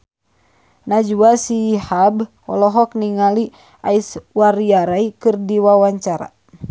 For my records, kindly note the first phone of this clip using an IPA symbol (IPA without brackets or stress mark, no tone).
n